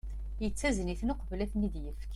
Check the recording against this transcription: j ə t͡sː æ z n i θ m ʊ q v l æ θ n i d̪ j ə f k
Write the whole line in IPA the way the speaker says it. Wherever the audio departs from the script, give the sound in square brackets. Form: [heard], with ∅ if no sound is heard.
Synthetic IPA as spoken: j ə t͡sː æ z n i θ [n] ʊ q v l æ θ n i d̪ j ə f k